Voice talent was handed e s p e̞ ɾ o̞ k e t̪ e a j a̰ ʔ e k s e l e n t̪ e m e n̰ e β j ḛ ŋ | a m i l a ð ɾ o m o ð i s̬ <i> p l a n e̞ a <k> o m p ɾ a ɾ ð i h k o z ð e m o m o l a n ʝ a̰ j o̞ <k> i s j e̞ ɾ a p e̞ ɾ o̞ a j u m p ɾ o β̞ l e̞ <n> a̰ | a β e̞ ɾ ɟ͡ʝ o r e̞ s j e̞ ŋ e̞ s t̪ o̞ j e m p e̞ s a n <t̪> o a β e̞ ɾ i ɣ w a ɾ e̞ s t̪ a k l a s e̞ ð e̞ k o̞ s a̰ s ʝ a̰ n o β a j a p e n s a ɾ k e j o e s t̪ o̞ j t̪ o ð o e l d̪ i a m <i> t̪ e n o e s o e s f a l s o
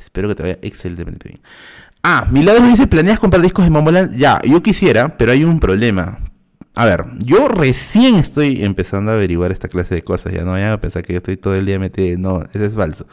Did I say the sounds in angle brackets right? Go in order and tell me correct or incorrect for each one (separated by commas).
incorrect, correct, correct, incorrect, incorrect, incorrect